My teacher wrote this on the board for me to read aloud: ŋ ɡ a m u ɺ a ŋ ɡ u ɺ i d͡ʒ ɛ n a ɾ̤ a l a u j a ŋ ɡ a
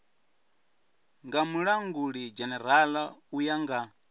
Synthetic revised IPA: ŋ ɡ a m u ɺ a ŋ ɡ u ɺ i d͡ʒ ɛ n ɛ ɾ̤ a l a u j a ŋ ɡ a